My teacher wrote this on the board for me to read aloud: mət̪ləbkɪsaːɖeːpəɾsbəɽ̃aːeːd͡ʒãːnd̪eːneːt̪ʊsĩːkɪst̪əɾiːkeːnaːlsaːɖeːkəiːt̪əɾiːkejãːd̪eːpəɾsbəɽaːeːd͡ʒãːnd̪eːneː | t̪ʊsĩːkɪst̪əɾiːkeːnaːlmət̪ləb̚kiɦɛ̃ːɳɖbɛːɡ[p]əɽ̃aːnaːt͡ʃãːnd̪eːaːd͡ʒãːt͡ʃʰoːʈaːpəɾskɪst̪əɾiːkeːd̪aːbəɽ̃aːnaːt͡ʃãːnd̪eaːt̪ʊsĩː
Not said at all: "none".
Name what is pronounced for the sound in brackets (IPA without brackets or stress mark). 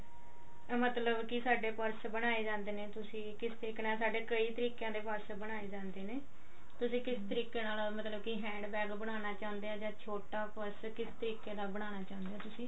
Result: b